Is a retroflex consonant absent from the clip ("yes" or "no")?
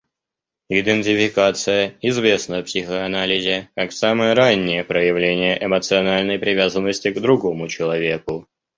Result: yes